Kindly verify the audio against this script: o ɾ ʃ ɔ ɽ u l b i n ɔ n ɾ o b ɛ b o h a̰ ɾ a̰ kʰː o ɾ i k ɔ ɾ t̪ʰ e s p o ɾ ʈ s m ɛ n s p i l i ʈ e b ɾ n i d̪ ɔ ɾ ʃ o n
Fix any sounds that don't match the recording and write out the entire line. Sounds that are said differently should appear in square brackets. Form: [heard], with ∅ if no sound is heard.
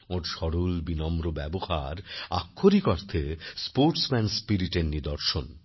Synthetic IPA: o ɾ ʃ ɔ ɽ u l b i n ɔ [m] ɾ o b ɛ b o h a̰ ɾ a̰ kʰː o ɾ i k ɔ ɾ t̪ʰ e s p o ɾ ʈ s m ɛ n s p i [ɾ] i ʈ e [∅] ɾ n i d̪ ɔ ɾ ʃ o n